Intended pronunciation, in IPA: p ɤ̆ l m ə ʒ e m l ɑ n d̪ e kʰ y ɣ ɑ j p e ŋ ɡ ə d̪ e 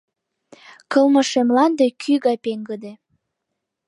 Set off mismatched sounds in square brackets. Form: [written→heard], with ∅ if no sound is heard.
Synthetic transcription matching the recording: [p→k] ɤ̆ l m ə [ʒ→ʃ] e m l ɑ n d̪ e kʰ y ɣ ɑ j p e ŋ ɡ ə d̪ e